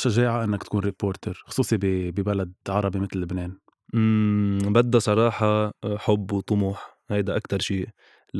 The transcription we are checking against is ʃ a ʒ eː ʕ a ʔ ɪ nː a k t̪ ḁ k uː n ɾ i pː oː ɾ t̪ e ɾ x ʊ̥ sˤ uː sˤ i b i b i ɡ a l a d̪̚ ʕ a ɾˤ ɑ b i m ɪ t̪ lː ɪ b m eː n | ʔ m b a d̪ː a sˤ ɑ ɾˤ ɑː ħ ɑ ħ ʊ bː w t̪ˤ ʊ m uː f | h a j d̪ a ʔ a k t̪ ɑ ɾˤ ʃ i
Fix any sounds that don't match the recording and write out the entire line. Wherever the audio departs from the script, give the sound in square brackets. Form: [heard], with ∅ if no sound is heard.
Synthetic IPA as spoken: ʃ a ʒ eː ʕ a ʔ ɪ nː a k t̪ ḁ k uː n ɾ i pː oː ɾ t̪ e ɾ x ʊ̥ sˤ uː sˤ i b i b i [b] a l a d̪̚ ʕ [ɑ] ɾˤ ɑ b i m ɪ t̪ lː ɪ b [n] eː n | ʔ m b a d̪ː a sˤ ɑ ɾˤ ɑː ħ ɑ ħ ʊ bː w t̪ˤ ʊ m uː [ħ] | h a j d̪ a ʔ a k t̪ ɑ ɾˤ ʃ [iː]